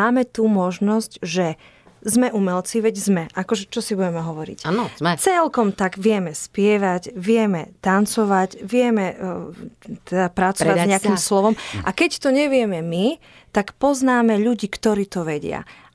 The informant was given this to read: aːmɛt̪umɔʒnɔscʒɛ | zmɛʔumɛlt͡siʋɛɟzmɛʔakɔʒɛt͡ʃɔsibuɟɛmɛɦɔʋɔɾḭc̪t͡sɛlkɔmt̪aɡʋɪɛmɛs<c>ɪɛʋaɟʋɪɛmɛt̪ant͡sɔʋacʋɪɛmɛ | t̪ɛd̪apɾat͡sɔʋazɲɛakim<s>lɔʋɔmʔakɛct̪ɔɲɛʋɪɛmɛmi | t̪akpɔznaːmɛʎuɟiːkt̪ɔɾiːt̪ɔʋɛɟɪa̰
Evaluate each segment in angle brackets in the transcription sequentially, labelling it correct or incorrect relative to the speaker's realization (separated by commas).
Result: incorrect, correct